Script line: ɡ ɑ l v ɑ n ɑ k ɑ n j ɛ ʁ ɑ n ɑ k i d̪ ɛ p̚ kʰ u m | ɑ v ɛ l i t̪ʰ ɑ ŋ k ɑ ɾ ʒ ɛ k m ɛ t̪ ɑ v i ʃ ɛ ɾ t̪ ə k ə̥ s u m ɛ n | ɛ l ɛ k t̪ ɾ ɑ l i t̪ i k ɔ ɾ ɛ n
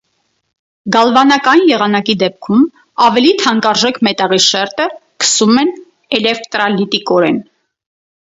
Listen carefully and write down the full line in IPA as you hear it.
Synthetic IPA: ɡ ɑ l v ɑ n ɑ k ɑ n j ɛ ʁ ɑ n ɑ k i d̪ ɛ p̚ kʰ u m | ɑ v ɛ l i t̪ʰ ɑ ŋ k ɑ ɾ ʒ ɛ k m ɛ t̪ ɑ ʁ i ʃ ɛ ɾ t̪ ə k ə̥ s u m ɛ n | ɛ l ɛ k t̪ ɾ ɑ l i t̪ i k ɔ ɾ ɛ n